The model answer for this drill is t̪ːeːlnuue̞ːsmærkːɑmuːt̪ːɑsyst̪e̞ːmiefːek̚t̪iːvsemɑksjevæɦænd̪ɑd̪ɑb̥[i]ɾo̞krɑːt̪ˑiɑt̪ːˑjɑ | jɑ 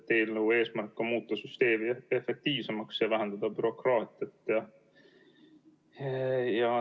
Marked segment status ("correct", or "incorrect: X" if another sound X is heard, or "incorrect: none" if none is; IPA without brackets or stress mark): incorrect: y